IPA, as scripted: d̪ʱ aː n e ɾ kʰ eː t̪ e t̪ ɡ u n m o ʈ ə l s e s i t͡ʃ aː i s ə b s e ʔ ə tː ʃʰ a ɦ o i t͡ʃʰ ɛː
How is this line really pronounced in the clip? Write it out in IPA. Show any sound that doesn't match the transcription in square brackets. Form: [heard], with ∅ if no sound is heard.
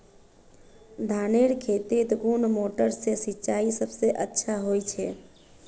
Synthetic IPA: d̪ʱ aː n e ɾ kʰ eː t̪ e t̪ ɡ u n m o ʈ ə [ɾ] s e s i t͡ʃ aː i s ə b s e ʔ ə tː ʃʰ a ɦ o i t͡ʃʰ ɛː